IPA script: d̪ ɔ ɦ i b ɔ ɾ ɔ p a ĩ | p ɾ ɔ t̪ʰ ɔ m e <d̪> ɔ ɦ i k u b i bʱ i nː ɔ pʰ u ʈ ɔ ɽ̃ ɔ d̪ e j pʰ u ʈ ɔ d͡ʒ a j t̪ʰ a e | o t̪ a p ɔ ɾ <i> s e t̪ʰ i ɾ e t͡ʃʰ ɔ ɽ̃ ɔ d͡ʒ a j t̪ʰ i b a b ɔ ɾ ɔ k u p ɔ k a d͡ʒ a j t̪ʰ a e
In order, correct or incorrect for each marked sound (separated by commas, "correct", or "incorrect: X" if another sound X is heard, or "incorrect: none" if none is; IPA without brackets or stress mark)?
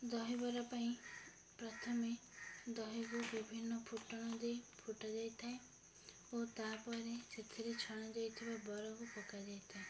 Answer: correct, incorrect: e